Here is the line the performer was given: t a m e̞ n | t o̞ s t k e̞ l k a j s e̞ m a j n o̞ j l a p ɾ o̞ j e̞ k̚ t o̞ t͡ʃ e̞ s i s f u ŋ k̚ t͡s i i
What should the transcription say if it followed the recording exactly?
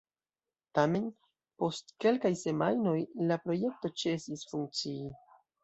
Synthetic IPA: t a m e̞ n | p o̞ s t k e̞ l k a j s e̞ m a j n o̞ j l a p ɾ o̞ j e̞ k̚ t o̞ t͡ʃ e̞ s i s f u ŋ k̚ t͡s i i